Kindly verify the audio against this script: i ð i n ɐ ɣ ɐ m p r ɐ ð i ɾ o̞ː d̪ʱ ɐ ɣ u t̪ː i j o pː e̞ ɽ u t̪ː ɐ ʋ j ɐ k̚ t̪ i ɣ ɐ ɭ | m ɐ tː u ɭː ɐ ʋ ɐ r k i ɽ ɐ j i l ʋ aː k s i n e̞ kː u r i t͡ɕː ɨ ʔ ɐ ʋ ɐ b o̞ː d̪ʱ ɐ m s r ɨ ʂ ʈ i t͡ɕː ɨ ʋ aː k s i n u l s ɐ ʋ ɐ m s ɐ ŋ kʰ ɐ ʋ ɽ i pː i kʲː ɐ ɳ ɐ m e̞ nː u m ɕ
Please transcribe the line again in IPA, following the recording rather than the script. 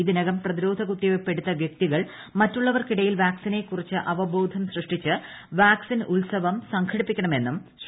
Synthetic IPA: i ð i n ɐ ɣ ɐ m p r ɐ ð i ɾ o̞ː d̪ʱ ɐ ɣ u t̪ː i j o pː e̞ ɽ u t̪ː ɐ ʋ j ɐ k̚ t̪ i ɣ ɐ ɭ | m ɐ tː u ɭː ɐ ʋ ɐ r k i ɽ ɐ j i l ʋ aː k s i n e̞ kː u r i t͡ɕː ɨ ʔ ɐ ʋ ɐ b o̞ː d̪ʱ ɐ m s r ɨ ʂ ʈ i t͡ɕː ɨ ʋ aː k s i n u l s ɐ ʋ ɐ m s ɐ ŋ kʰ ɐ ɽ i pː i kʲː ɐ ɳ ɐ m e̞ nː u m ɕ

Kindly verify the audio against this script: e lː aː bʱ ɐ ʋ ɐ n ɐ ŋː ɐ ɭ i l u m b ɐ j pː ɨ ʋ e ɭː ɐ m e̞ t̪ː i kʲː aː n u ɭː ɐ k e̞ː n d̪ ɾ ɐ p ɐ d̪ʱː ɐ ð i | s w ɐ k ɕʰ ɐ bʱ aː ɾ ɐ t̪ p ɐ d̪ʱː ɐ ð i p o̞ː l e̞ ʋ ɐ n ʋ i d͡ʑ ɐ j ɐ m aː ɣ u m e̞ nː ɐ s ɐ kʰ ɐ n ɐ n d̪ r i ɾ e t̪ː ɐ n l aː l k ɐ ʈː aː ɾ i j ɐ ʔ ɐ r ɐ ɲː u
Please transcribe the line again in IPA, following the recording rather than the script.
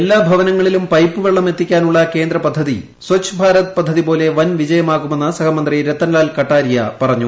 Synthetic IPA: e lː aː bʱ ɐ ʋ ɐ n ɐ ŋː ɐ ɭ i l u m p ɐ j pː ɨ ʋ e ɭː ɐ m e̞ t̪ː i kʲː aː n u ɭː ɐ k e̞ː n d̪ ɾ ɐ p ɐ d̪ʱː ɐ ð i | s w ɐ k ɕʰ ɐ bʱ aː ɾ ɐ t̪ p ɐ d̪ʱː ɐ ð i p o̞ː l e̞ ʋ ɐ n ʋ i d͡ʑ ɐ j ɐ m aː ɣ u m e̞ nː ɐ s ɐ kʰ ɐ m ɐ n d̪ r i ɾ e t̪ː ɐ n l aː l k ɐ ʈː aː ɾ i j ɐ p ɐ r ɐ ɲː u

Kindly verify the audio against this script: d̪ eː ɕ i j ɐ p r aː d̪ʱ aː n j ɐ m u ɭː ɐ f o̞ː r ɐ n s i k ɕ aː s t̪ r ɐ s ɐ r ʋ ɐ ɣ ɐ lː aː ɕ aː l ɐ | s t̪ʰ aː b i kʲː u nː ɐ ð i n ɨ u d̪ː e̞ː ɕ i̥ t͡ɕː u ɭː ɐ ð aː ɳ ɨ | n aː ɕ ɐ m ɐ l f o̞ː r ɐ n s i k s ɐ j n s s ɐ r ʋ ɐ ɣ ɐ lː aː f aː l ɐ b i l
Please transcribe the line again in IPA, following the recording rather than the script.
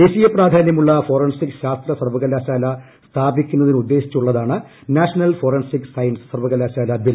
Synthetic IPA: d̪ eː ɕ i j ɐ p r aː d̪ʱ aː n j ɐ m u ɭː ɐ f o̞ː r ɐ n s i k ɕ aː s t̪ r ɐ s ɐ r ʋ ɐ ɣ ɐ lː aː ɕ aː l ɐ | s t̪ʰ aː b i kʲː u nː ɐ ð i n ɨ u d̪ː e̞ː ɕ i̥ t͡ɕː u ɭː ɐ ð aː ɳ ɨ | n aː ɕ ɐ n ɐ l f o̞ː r ɐ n s i k s ɐ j n s s ɐ r ʋ ɐ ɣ ɐ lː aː ɕ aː l ɐ b i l

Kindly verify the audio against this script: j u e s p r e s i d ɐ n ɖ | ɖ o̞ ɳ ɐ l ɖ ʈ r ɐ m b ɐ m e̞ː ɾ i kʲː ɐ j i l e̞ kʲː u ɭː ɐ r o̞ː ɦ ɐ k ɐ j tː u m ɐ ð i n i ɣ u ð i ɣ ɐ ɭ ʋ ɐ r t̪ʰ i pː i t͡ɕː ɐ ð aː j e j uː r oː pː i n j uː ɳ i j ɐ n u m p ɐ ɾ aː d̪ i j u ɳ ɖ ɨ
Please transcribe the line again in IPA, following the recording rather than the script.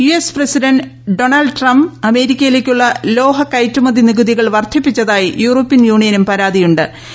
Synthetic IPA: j u e s p r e s i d ɐ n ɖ | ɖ o̞ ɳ ɐ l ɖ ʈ r ɐ m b ɐ m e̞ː ɾ i kʲː ɐ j i l e̞ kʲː u ɭː ɐ l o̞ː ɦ ɐ k ɐ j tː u m ɐ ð i n i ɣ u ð i ɣ ɐ ɭ ʋ ɐ r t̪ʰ i pː i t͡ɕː ɐ ð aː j i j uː r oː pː i n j uː ɳ i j ɐ n u m p ɐ ɾ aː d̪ i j u ɳ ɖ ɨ

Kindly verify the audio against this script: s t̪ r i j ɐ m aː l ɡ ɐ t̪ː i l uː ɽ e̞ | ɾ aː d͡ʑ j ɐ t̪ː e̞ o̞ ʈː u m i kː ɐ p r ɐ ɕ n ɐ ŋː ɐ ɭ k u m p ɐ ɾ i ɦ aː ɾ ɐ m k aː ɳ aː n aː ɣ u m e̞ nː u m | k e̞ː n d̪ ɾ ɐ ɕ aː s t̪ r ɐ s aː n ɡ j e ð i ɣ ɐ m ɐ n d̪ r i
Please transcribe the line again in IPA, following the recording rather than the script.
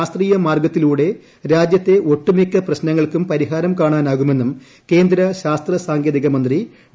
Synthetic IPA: s t̪ r iː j ɐ m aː r ɡ ɐ t̪ː i l uː ɽ e̞ | ɾ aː d͡ʑ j ɐ t̪ː e̞ o̞ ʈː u m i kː ɐ p r ɐ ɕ n ɐ ŋː ɐ ɭ k u m p ɐ ɾ i ɦ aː ɾ ɐ m k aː ɳ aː n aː ɣ u m e̞ nː u m | k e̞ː n d̪ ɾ ɐ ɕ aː s t̪ r ɐ s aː ŋ ɡ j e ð i ɣ ɐ m ɐ n d̪ r i

